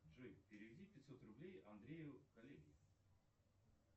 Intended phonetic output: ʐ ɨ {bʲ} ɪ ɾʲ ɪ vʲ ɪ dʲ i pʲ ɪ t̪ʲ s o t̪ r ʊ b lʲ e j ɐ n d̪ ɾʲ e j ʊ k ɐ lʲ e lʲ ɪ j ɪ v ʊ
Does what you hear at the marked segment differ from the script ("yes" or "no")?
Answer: yes